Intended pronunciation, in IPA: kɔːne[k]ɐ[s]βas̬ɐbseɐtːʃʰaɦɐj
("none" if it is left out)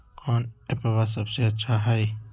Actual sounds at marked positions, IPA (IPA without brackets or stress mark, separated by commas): p, none